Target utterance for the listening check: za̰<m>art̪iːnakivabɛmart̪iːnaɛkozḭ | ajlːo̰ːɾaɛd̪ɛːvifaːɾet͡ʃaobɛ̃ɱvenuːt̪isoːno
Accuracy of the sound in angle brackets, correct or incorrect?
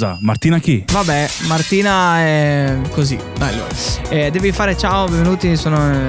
correct